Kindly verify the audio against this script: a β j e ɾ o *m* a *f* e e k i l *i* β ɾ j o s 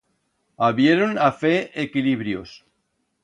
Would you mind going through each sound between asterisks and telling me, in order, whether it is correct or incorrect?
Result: incorrect: n, correct, correct

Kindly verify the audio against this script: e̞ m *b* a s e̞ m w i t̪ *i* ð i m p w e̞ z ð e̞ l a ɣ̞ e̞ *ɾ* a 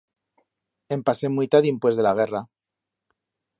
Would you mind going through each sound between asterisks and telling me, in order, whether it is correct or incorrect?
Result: incorrect: p, incorrect: a, incorrect: r

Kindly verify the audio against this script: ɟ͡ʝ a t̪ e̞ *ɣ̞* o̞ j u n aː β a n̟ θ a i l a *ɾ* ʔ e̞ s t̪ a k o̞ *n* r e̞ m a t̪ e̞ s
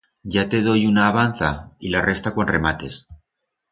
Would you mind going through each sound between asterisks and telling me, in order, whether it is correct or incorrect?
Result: incorrect: ð̞, incorrect: r, correct

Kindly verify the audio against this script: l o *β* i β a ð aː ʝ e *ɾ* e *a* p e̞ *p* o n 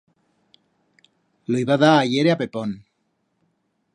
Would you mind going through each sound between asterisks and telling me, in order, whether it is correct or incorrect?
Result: incorrect: none, correct, correct, correct

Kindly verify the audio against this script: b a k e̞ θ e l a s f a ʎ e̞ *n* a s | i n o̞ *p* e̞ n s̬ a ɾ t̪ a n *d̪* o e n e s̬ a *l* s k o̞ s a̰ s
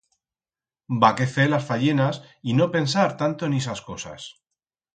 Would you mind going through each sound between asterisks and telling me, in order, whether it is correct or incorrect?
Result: correct, correct, incorrect: t̪, incorrect: none

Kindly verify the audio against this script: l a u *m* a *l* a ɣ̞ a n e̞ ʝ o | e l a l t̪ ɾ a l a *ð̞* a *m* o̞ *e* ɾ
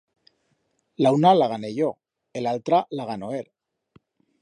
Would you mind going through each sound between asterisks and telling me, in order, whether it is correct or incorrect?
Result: incorrect: n, correct, incorrect: ɣ̞, incorrect: n, correct

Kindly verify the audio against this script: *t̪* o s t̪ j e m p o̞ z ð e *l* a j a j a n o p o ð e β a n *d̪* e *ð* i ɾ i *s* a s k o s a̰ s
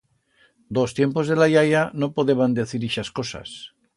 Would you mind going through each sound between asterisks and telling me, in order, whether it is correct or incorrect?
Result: incorrect: d̪, correct, correct, incorrect: θ, incorrect: ʃ

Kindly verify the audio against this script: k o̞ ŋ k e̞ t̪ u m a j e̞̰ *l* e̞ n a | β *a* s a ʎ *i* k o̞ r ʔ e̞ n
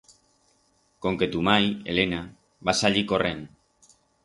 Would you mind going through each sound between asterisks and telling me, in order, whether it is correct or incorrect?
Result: correct, correct, correct

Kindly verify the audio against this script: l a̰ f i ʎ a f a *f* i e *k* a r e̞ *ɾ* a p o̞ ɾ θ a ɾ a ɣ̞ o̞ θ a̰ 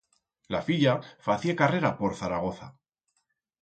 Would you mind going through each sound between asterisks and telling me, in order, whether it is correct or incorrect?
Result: incorrect: θ, correct, correct

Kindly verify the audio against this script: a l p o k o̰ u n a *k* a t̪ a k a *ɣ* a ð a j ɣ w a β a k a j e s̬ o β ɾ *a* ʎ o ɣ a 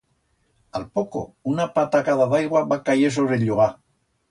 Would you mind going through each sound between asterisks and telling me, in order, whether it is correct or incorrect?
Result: incorrect: p, incorrect: ð, incorrect: e

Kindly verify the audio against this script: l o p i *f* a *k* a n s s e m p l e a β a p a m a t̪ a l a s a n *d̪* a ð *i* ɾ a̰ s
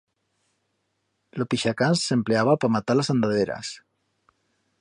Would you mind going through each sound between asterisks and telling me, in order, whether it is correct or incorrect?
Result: incorrect: ʃ, correct, correct, incorrect: e

